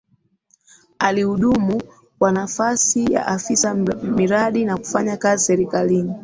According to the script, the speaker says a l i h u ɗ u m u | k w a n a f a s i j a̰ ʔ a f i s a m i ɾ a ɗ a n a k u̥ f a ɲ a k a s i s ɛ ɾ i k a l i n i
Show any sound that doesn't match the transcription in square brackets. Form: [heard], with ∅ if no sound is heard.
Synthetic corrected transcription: a l i h u ɗ u m u | k w a n a f a s i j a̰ ʔ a f i s a m i ɾ a ɗ [i] n a k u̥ f a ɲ a k a [z] i s ɛ ɾ i k a l i n i

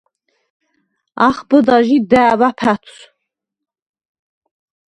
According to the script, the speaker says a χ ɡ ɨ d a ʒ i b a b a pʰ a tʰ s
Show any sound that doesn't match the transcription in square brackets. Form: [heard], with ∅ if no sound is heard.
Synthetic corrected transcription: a χ [b] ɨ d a ʒ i [d] a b a pʰ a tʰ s

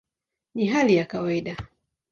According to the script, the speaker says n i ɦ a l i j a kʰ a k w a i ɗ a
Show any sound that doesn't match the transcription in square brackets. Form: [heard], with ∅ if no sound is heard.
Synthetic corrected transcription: n i ɦ a l i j a [k] a [∅] w a i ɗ a

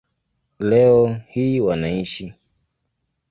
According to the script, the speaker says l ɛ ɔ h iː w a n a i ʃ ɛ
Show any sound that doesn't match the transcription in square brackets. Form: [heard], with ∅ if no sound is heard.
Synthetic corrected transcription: l ɛ ɔ h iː w a n a i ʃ [i]

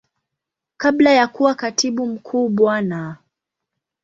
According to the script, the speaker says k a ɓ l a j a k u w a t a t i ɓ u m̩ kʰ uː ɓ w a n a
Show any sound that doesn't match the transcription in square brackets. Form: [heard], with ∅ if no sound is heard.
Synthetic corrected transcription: k a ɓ l a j a k u w a [k] a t i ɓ u m̩ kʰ uː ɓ w a n a

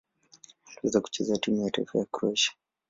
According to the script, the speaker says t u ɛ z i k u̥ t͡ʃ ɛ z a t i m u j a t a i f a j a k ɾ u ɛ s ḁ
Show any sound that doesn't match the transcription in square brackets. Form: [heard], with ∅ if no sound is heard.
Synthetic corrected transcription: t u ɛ z [a] k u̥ t͡ʃ ɛ z a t i m u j a t a i f a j a k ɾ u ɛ [ʃ] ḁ

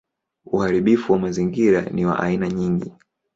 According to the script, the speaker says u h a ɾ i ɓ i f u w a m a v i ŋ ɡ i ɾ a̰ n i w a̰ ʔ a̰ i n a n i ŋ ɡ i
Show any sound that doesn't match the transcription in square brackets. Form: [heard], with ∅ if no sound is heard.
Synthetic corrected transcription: u h a ɾ i ɓ i f u w a m a [z] i ŋ ɡ i ɾ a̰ n i w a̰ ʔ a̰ i n a [ɲ] i ŋ ɡ i

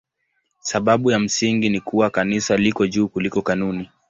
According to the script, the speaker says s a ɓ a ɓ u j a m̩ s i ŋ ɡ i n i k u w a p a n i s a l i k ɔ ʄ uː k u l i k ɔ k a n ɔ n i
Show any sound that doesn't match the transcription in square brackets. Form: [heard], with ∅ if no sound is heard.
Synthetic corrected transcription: s a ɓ a ɓ u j a m̩ s i ŋ ɡ i n i k u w a [k] a n i s a l i k ɔ ʄ uː k u l i k ɔ k a n [u] n i

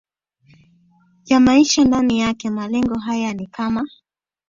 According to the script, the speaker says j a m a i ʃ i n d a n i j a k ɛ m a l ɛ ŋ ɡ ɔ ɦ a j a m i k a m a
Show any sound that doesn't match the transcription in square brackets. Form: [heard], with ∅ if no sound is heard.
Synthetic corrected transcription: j a m a i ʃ [a] n d a n i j a k ɛ m a l ɛ ŋ ɡ ɔ ɦ a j a [n] i k a m a

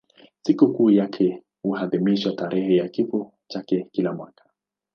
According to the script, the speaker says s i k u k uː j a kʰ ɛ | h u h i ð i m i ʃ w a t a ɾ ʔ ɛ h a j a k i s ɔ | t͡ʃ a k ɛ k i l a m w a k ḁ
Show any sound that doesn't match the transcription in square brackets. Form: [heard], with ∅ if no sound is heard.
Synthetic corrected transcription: s i k u k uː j a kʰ ɛ | h u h [a] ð i m i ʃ w a t a ɾ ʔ ɛ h [ɛ] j a k i [f] ɔ | t͡ʃ a k ɛ k i l a m w a k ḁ

